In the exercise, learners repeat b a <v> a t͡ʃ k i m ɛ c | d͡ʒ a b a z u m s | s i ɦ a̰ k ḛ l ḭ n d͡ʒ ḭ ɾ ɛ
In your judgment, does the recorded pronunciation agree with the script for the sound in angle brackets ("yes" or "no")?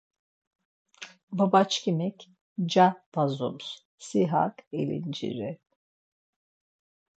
no